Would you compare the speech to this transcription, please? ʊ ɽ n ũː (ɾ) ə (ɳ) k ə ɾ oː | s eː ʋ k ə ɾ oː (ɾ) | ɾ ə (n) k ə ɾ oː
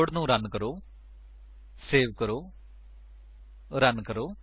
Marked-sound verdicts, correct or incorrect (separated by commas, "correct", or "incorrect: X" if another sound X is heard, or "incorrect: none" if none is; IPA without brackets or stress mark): correct, incorrect: n, incorrect: none, correct